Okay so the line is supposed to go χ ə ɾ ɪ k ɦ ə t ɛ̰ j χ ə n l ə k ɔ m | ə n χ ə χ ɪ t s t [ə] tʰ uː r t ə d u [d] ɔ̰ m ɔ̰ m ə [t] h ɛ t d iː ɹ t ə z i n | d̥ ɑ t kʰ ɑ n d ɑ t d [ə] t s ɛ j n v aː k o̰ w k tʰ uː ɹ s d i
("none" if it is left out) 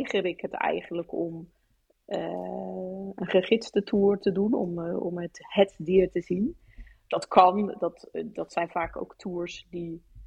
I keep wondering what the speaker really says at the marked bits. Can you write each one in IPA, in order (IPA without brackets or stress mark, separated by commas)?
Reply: ə, n, t, ɑ